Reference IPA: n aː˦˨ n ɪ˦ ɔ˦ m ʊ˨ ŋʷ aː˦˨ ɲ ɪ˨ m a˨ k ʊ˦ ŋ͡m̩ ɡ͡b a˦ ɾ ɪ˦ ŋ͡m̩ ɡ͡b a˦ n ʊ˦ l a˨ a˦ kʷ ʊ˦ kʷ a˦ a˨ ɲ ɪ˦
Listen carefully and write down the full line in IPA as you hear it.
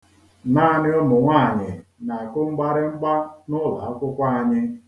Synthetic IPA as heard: n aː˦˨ n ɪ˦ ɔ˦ m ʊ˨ ŋʷ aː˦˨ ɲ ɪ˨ n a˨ k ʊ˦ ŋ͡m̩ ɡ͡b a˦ ɾ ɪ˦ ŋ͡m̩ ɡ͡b a˦ n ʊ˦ l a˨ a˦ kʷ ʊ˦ kʷ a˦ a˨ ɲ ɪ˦